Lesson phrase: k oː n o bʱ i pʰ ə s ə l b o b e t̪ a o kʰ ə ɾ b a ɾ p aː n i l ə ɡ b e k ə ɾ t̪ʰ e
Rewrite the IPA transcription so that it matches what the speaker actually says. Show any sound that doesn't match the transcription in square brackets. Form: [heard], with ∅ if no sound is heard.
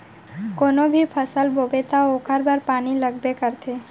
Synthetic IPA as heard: k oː n o bʱ i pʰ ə s ə l b o b e t̪ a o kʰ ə ɾ b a ɾ p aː n i l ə ɡ b e k ə ɾ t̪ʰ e